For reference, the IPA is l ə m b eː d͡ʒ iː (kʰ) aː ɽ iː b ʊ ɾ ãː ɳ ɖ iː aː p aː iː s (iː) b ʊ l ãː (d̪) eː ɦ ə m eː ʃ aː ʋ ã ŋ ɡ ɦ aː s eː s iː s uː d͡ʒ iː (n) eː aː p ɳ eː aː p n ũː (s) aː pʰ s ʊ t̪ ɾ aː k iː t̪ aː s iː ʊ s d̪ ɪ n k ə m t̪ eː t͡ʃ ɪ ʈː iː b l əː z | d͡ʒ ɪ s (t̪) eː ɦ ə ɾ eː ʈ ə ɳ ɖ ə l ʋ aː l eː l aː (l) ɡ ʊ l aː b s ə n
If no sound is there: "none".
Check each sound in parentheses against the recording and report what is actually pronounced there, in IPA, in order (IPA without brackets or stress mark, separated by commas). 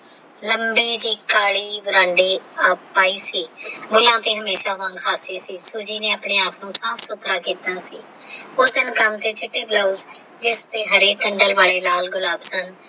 k, iː, t̪, n, s, t̪, l